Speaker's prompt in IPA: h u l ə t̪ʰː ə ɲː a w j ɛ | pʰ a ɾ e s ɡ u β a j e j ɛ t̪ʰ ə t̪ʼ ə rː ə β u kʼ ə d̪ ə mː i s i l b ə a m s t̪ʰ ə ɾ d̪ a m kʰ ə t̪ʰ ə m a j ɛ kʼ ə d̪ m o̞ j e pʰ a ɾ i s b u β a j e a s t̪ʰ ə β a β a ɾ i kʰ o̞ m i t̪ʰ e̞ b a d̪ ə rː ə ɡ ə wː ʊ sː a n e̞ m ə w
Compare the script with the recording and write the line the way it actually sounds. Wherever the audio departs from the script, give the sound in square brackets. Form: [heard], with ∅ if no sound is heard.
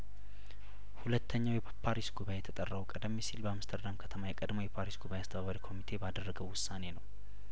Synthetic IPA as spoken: h u l ə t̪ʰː ə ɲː a w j ɛ | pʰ a ɾ [i] s ɡ u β a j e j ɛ t̪ʰ ə t̪ʼ ə rː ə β u kʼ ə d̪ ə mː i s i l b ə a m s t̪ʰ ə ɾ d̪ a m kʰ ə t̪ʰ ə m a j ɛ kʼ ə d̪ m o̞ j [ɛ] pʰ a ɾ i s [ɡ] u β a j e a s t̪ʰ ə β a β a ɾ i kʰ o̞ m i t̪ʰ e̞ b a d̪ ə rː ə ɡ ə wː ʊ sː a n e̞ [n] ə w